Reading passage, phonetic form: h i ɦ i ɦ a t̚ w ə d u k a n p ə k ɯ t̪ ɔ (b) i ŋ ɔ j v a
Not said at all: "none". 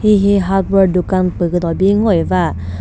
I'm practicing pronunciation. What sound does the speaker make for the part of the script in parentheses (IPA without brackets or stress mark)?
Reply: b